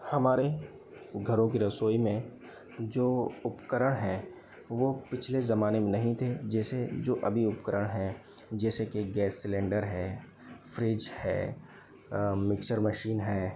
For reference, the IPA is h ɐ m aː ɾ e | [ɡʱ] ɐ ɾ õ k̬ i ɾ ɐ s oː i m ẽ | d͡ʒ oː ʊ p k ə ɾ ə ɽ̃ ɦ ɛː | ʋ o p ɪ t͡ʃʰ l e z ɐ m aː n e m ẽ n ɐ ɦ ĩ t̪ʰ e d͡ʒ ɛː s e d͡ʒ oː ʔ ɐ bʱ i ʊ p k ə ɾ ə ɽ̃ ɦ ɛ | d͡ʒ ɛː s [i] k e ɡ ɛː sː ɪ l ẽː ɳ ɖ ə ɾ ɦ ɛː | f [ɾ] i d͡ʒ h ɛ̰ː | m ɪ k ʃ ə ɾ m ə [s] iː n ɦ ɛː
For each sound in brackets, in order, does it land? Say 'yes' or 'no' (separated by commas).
yes, no, yes, no